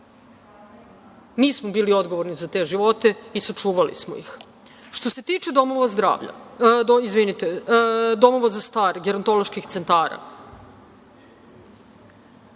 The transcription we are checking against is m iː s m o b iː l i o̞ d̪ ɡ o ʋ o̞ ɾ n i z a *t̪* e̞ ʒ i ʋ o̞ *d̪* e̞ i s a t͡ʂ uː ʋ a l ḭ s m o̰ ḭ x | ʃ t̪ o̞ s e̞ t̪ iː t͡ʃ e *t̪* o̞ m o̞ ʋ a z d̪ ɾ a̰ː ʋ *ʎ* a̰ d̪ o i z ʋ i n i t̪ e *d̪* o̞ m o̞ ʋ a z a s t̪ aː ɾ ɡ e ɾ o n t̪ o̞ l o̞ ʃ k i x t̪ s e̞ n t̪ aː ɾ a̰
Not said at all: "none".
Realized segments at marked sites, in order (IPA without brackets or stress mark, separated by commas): t̪, t̪, d̪, ʎ, d̪